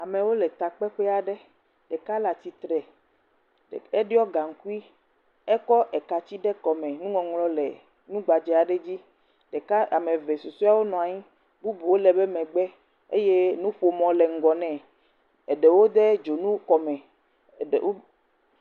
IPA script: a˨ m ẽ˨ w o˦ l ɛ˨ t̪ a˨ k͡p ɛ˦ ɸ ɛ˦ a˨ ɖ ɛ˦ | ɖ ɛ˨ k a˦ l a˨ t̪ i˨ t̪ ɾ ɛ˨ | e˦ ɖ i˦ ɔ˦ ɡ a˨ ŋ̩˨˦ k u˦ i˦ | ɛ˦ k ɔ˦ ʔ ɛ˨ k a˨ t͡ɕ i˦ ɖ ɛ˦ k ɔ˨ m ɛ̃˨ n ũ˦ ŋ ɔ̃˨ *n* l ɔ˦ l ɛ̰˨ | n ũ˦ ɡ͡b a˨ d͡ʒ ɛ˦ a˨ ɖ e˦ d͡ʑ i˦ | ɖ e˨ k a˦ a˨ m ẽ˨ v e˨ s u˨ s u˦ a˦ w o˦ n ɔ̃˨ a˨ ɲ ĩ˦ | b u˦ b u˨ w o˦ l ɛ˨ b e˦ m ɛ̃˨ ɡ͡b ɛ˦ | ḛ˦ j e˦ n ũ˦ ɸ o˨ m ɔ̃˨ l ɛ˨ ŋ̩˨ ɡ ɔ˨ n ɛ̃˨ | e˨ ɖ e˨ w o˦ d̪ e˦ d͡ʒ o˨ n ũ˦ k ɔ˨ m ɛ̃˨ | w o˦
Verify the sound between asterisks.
incorrect: ŋ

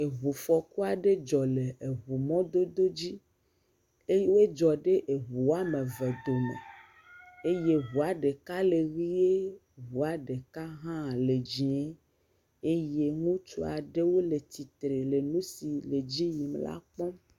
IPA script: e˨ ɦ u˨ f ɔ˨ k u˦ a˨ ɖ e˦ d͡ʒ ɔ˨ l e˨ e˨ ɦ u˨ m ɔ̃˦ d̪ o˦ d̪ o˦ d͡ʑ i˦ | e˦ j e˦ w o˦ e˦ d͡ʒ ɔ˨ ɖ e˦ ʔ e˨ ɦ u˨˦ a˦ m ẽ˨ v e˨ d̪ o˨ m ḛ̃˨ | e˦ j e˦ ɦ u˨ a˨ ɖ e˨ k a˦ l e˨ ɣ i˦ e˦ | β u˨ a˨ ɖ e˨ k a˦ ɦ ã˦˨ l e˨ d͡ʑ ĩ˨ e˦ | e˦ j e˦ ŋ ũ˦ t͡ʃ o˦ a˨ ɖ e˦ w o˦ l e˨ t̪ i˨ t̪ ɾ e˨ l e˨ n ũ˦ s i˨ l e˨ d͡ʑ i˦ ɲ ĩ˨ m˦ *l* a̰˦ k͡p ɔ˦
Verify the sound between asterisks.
correct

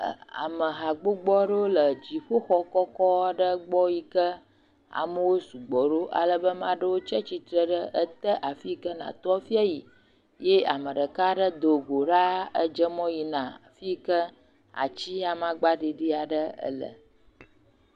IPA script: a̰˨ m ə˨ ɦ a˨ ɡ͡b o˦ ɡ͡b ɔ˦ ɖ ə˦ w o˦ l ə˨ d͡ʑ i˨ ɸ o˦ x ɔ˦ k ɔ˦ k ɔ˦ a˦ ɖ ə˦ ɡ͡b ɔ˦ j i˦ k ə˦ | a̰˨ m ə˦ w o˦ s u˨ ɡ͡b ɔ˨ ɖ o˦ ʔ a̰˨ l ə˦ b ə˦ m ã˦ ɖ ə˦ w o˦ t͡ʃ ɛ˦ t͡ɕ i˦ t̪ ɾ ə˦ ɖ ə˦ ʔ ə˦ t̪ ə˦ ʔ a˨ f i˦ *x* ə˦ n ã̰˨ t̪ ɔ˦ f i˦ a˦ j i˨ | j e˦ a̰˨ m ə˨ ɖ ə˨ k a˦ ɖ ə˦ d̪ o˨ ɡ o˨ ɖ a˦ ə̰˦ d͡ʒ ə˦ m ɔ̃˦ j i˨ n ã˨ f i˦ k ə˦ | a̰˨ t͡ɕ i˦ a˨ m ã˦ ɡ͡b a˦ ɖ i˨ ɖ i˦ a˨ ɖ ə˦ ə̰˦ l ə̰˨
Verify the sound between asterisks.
incorrect: k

